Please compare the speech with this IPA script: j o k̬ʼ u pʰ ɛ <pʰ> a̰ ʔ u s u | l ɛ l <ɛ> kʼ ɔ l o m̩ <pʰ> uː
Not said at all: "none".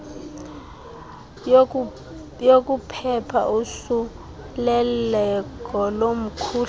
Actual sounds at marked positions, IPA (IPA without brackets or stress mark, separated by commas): pʰ, ɛ, kʰ